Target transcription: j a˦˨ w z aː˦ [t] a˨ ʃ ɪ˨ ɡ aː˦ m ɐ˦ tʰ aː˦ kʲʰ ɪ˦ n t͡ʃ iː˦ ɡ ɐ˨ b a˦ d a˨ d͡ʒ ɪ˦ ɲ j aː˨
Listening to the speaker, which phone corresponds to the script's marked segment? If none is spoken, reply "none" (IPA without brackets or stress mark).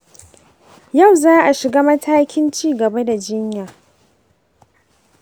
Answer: ʔ